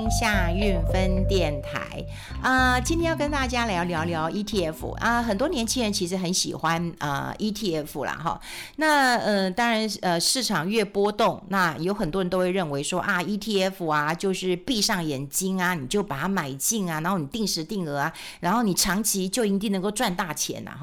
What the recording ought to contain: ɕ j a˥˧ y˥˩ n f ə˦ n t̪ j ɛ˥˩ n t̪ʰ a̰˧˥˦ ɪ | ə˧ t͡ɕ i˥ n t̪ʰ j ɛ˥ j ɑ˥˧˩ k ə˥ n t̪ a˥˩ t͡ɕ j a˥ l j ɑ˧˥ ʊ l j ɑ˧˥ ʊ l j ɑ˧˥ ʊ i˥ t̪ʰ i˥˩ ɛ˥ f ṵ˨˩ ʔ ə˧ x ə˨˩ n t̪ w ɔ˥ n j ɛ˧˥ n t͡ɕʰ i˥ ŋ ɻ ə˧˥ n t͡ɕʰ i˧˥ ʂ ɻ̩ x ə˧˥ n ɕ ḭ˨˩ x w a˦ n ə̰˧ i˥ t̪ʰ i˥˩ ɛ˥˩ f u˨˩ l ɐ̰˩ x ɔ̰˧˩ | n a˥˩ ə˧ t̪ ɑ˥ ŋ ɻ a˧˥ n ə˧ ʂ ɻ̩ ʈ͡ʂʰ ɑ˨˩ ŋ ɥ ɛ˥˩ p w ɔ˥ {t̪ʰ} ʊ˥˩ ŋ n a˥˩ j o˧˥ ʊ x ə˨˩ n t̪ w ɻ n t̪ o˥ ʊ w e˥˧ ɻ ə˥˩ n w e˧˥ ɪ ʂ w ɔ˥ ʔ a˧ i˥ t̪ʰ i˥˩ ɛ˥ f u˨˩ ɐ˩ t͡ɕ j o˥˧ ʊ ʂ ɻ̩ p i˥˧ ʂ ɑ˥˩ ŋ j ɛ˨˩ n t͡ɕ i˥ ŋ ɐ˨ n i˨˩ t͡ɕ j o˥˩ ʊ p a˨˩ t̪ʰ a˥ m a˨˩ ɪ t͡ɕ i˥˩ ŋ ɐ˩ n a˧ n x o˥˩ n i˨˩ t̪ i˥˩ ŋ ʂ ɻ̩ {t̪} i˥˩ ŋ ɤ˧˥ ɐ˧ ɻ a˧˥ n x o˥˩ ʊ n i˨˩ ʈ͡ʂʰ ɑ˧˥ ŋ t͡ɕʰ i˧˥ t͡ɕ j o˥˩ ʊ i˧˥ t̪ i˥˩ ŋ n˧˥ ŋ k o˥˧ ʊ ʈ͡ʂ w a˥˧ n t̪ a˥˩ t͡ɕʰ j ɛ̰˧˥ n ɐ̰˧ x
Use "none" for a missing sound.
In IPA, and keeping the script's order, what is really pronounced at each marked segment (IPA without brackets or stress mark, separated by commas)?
t̪, t̪